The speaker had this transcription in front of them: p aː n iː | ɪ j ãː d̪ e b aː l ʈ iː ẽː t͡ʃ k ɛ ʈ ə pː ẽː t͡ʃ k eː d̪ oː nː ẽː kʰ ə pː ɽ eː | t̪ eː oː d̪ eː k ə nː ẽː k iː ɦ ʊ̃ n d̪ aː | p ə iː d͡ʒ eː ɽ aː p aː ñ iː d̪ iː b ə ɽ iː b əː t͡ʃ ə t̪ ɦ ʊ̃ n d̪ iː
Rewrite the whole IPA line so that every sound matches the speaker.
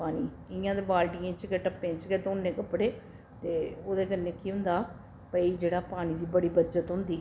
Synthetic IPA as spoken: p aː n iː | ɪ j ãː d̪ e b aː l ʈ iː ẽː t͡ʃ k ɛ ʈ ə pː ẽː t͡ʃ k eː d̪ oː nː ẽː k ə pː ɽ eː | t̪ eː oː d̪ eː k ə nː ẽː k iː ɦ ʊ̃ n d̪ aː | p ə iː d͡ʒ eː ɽ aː p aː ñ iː d̪ iː b ə ɽ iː b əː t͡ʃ ə t̪ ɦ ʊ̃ n d̪ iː